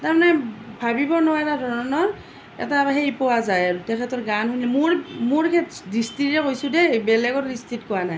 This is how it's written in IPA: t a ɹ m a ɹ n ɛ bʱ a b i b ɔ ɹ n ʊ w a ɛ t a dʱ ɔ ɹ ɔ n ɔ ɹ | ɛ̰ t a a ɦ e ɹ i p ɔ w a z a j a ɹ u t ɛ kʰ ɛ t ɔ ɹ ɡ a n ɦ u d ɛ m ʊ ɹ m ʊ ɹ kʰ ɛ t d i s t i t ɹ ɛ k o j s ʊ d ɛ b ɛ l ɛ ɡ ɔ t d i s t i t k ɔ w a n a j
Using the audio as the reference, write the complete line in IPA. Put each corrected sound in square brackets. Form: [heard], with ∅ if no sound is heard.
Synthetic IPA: t a ɹ m a [∅] n ɛ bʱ a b i b ɔ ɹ n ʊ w a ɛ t a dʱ ɔ ɹ ɔ n ɔ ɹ | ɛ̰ t a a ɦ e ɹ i p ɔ w a z a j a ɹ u t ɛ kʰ ɛ t ɔ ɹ ɡ a n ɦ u [n] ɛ m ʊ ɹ m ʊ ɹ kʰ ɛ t d i s t i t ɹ ɛ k o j s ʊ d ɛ b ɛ l ɛ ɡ ɔ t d i s t i t k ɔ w a n a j